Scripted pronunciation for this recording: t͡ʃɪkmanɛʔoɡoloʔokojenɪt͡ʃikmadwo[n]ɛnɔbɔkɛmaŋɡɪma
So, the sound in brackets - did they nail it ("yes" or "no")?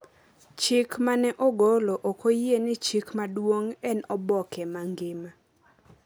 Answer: no